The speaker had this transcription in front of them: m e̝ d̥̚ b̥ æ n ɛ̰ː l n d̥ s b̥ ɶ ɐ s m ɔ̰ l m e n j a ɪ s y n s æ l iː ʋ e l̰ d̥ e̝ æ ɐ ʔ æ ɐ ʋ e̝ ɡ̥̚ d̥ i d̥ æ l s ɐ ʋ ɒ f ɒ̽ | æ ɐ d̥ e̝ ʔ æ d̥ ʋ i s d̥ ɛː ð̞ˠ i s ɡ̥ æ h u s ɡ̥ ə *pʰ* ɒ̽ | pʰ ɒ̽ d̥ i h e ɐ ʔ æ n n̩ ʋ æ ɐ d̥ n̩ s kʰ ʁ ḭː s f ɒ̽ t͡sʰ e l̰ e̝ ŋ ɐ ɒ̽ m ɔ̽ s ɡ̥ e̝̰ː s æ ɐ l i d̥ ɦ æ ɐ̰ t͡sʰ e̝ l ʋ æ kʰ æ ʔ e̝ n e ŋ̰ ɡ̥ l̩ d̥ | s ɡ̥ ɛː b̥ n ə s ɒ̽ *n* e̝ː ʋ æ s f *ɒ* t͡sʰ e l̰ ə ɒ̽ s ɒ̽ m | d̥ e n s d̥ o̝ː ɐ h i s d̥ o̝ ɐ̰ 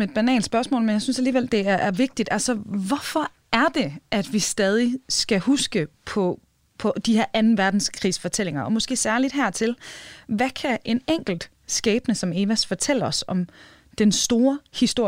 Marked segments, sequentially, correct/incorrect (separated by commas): correct, incorrect, correct